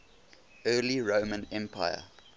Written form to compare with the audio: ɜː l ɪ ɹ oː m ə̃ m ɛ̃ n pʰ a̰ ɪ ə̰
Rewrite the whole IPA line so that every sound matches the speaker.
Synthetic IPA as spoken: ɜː l i ɹ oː m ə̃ n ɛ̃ m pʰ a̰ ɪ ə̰